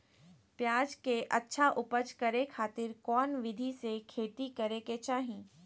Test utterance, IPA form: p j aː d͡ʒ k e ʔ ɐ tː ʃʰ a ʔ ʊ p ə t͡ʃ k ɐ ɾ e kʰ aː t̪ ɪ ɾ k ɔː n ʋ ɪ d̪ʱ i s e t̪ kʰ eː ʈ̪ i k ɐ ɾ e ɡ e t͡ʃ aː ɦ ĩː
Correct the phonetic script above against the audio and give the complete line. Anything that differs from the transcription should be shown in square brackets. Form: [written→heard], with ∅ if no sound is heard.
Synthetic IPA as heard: p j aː d͡ʒ k e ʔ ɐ tː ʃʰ a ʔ ʊ p ə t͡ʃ k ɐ ɾ e kʰ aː t̪ ɪ ɾ k ɔː n ʋ ɪ d̪ʱ i s e [t̪→∅] kʰ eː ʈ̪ i k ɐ ɾ e [ɡ→k] e t͡ʃ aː ɦ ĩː